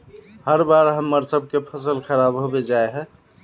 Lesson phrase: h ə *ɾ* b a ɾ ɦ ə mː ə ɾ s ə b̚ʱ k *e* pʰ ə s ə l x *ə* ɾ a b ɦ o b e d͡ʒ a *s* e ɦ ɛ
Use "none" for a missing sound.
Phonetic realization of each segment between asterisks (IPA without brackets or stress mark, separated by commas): ɾ, e, ə, none